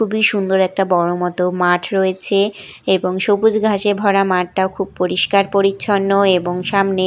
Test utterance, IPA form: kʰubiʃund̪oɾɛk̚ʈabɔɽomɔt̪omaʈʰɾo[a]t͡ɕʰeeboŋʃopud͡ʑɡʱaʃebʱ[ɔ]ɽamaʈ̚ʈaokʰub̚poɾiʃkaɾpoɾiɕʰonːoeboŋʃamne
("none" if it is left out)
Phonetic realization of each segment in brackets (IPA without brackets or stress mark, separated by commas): e, ɔ